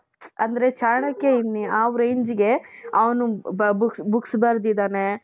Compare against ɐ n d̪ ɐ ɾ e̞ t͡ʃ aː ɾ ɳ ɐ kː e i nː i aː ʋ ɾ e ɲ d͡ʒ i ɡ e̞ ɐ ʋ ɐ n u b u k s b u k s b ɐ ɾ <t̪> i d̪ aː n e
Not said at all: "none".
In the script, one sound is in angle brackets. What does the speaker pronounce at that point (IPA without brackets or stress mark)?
d̪